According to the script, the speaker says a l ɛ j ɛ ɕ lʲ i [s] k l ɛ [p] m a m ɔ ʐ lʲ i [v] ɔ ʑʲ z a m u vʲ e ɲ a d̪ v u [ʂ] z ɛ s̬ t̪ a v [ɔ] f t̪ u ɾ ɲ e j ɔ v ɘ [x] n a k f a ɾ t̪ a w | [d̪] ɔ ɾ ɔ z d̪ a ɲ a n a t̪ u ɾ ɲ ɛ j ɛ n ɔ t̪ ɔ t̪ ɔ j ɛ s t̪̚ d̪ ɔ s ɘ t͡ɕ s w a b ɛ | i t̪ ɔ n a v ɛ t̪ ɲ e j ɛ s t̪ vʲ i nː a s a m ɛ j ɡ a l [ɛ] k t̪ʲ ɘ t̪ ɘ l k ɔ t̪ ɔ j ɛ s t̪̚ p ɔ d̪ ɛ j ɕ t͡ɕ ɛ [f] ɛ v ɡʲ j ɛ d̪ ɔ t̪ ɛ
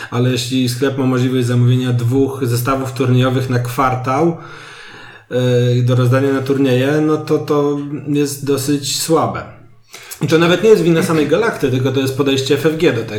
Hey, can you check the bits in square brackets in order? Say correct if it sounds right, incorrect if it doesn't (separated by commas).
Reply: correct, correct, correct, incorrect, incorrect, correct, correct, incorrect, correct